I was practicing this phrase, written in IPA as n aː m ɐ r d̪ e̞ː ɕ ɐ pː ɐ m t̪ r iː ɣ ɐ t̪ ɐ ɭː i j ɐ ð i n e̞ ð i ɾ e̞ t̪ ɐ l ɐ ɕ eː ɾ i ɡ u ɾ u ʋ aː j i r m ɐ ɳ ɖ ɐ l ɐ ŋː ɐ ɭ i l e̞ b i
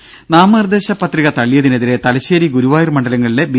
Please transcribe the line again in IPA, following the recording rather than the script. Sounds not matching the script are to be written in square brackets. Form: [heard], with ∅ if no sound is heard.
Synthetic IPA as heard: n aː m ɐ r d̪ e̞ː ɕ ɐ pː ɐ [∅] t̪ r [i] ɣ ɐ t̪ ɐ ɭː i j ɐ ð i n e̞ ð i ɾ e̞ t̪ ɐ l ɐ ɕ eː ɾ i ɡ u ɾ u ʋ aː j i r m ɐ ɳ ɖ ɐ l ɐ ŋː ɐ ɭ i l e̞ b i